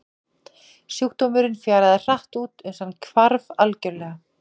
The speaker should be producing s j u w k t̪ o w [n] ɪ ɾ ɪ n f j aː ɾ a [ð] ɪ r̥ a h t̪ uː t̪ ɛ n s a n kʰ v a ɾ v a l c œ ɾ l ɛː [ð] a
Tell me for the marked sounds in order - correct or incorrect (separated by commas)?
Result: incorrect, correct, incorrect